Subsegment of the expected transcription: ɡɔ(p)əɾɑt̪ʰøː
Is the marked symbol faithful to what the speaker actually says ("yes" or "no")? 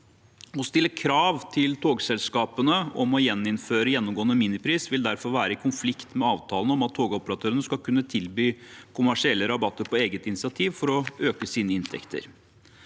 yes